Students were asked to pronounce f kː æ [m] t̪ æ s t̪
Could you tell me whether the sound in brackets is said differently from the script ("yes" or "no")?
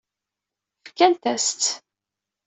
yes